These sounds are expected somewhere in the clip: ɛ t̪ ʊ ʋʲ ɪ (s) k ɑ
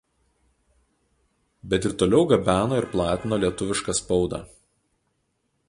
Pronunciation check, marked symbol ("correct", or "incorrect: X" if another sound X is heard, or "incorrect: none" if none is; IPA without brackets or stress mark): incorrect: ʃ